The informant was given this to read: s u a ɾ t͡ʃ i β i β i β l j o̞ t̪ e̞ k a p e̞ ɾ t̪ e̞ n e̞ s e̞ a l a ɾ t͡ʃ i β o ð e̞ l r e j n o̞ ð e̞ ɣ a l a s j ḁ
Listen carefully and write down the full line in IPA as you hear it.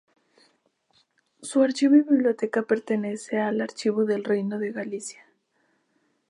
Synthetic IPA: s u a ɾ t͡ʃ i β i β i β l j o̞ t̪ e̞ k a p e̞ ɾ t̪ e̞ n e̞ s e̞ a l a ɾ t͡ʃ i β o ð e̞ l r e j n o̞ ð e̞ ɣ a l i s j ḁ

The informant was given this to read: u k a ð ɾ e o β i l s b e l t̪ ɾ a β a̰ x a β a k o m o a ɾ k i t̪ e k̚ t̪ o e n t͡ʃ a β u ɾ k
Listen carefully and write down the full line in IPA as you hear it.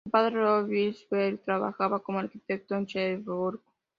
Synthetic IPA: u p a ð ɾ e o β i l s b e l t̪ ɾ a β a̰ x a β a k o m o a ɾ k i t̪ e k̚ t̪ o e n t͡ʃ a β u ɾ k

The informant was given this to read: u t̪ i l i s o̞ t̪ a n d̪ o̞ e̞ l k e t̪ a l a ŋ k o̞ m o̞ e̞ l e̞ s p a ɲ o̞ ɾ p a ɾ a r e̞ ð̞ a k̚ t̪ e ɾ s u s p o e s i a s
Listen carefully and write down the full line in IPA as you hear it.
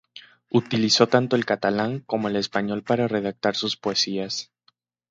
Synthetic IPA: u t̪ i l i s o̞ t̪ a n t̪ o̞ e̞ l k a t̪ a l a ŋ k o̞ m o̞ e̞ l e̞ s p a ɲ o̞ l p a ɾ a r e̞ ð̞ a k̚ t̪ a ɾ s u s p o e s i a s

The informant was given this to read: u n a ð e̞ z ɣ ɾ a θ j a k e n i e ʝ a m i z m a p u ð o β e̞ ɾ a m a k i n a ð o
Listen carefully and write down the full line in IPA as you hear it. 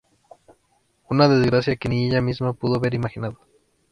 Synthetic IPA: u n a ð e̞ z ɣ ɾ a s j a k e n i e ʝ a m i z m a p u ð o β e̞ ɾ i m a x i n a ð o

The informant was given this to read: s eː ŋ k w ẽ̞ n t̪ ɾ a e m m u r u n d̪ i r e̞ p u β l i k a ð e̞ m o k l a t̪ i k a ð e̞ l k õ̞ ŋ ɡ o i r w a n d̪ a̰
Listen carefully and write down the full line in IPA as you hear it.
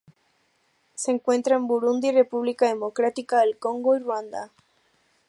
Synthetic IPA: s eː ŋ k w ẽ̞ n t̪ ɾ a e m b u ɾ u n d̪ i r e̞ p u β l i k a ð e̞ m o k ɾ a t̪ i k a ð e̞ l k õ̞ ŋ ɡ o i r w a n d̪ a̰

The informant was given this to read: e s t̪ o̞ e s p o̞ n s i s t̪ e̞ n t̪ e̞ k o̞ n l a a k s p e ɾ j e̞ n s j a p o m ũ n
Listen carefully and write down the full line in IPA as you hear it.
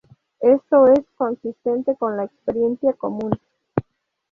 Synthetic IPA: e s t̪ o̞ e s k o̞ n s i s t̪ e̞ n t̪ e̞ k o̞ n l a e k s p e ɾ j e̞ n s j a k o m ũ n

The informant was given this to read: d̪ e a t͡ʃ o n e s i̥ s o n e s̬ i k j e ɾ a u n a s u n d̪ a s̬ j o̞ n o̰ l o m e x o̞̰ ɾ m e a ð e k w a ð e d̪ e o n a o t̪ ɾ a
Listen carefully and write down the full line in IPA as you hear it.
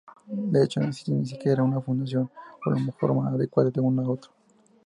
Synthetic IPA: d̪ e e t͡ʃ o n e s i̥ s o n i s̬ i k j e ɾ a u n a f u n d̪ a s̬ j o̞ n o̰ l o m e x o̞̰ ɾ m a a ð e k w a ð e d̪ e u n a o t̪ ɾ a

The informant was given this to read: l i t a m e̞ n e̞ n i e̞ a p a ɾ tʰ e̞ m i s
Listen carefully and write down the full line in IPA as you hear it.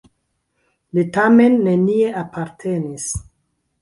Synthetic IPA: l i t a m e̞ nː e̞ n i e̞ a p a ɾ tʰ e̞ n i s

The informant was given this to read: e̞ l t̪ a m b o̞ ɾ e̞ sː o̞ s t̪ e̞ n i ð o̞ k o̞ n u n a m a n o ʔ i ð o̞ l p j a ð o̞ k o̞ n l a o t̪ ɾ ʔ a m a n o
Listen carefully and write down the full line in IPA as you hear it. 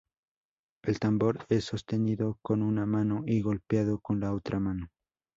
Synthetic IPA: e̞ l t̪ a m b o̞ ɾ e̞ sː o̞ s t̪ e̞ n i ð o̞ k o̞ n u n a m a n o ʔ i ɣ o̞ l p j a ð o̞ k o̞ n l a o t̪ ɾ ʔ a m a n o

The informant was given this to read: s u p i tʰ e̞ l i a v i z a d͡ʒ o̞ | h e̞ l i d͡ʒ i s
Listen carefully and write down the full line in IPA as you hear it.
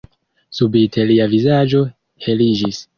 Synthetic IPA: s u b i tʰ e̞ l i a v i z a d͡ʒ o̞ | h e̞ l i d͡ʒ i s

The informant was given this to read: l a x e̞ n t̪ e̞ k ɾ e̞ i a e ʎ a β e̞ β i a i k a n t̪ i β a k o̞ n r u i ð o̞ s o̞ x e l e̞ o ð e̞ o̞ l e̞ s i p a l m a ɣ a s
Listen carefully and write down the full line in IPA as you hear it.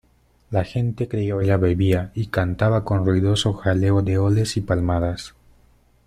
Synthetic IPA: l a x e̞ n t̪ e̞ k ɾ e̞ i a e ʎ a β e̞ β i a i k a n t̪ a β a k o̞ n r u i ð o̞ s o̞ x a l e̞ o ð e̞ o̞ l e̞ s i p a l m a ð a s

